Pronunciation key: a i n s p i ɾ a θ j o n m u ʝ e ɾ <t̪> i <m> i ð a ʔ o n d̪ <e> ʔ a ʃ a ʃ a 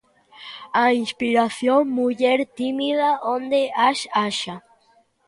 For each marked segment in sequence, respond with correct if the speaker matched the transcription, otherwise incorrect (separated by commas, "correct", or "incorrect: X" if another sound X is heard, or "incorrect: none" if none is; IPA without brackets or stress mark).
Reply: correct, correct, correct